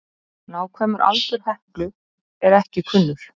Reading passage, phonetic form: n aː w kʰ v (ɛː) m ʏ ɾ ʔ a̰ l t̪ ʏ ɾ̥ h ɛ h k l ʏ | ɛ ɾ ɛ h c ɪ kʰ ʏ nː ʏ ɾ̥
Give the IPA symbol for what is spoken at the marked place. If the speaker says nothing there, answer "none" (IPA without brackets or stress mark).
ɛː